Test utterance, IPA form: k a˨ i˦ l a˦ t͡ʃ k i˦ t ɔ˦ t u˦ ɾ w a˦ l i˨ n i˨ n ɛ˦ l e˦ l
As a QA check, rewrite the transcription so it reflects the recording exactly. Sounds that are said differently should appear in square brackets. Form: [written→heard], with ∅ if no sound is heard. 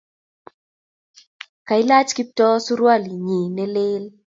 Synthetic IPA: k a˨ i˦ l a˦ t͡ʃ k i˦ t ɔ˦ [t→s] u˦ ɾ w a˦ l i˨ [n→ɲ] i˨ n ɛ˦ l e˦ l